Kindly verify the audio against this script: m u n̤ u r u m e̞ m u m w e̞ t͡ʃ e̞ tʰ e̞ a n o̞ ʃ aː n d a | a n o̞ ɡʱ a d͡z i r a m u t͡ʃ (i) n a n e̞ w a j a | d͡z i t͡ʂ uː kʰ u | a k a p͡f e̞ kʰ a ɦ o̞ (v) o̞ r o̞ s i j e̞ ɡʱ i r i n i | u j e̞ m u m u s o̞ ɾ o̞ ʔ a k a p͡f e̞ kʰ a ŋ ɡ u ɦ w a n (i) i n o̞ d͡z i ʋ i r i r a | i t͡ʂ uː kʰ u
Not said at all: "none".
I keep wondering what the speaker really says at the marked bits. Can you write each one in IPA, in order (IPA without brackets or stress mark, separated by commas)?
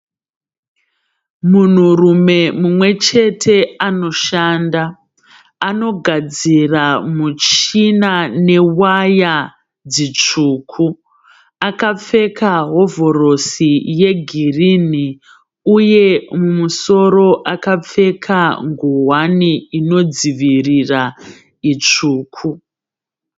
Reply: i, v, i